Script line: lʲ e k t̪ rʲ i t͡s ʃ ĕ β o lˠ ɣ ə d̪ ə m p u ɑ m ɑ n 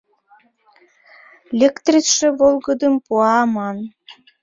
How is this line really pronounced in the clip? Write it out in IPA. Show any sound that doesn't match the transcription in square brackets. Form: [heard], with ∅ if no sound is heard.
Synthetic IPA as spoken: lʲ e k t̪ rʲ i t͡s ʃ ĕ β o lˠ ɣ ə d̪ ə m p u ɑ m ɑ n